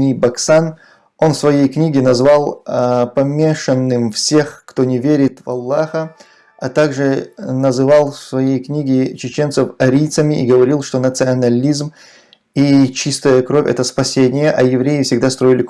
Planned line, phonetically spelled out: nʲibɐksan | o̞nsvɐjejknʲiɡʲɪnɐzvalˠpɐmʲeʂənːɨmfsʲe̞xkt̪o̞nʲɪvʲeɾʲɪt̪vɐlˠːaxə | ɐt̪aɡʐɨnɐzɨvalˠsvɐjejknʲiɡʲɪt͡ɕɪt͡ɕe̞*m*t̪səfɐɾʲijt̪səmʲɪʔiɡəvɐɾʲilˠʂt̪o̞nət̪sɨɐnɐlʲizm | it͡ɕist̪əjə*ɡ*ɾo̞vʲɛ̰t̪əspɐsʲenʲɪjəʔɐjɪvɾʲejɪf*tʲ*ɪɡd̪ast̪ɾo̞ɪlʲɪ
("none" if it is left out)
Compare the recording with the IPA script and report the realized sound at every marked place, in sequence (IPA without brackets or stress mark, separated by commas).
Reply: n, k, sʲ